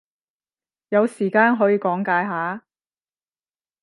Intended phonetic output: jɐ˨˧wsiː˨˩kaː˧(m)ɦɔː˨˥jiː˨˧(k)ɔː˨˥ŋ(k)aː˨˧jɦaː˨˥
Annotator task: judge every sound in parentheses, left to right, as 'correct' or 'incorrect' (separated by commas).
incorrect, correct, correct